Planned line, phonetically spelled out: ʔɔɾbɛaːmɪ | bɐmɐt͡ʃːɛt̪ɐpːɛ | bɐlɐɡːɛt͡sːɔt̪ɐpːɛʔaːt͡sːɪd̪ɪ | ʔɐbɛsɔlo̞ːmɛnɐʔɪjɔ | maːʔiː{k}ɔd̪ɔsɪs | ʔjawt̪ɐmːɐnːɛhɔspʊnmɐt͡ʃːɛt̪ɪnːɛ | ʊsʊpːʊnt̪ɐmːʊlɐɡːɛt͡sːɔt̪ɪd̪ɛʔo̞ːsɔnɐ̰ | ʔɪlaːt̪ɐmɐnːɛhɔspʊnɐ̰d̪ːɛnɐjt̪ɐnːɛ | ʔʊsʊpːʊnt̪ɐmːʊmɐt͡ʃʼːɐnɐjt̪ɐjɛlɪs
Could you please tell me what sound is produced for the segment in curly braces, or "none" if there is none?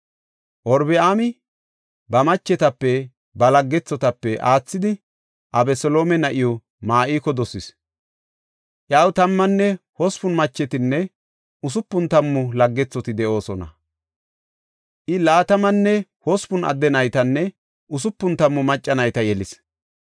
k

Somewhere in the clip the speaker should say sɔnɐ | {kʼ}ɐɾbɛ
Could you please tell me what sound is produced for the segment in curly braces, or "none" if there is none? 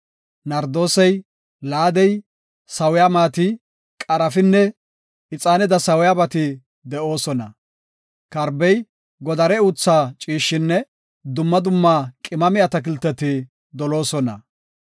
k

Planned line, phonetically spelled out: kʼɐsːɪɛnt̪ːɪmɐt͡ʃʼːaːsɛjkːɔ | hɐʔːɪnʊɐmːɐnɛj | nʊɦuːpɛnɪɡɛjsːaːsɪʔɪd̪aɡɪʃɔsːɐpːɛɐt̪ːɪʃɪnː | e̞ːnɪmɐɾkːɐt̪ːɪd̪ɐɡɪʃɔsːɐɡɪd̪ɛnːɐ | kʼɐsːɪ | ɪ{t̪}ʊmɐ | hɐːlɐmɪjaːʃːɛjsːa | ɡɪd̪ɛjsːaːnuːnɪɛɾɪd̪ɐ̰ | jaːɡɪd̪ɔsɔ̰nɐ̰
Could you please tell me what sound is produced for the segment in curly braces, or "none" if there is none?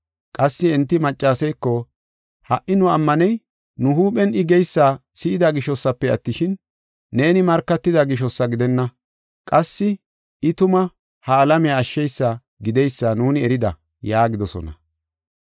t̪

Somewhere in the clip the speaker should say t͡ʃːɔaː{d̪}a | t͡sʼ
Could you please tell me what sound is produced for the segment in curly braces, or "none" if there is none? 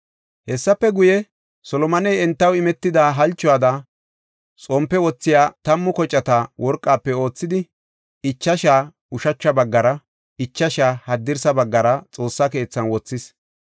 d̪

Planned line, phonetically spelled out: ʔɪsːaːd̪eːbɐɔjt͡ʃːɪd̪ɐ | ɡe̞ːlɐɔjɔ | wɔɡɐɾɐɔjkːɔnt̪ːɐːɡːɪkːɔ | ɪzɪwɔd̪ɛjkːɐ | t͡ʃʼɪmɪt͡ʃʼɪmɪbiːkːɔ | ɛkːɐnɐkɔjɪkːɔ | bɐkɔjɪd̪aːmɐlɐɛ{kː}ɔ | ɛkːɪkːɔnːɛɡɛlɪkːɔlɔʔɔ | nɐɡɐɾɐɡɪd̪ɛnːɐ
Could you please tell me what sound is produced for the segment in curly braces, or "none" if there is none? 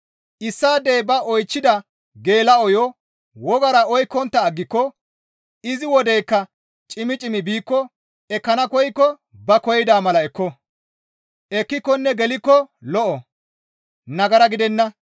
kː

